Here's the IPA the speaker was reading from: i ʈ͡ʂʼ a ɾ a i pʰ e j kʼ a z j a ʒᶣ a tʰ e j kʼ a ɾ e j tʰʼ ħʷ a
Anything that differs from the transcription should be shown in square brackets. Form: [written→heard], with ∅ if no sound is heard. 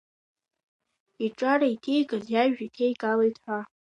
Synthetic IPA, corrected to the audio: i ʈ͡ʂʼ a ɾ a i [pʰ→tʰ] e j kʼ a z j a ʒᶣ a tʰ e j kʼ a [ɾ→l] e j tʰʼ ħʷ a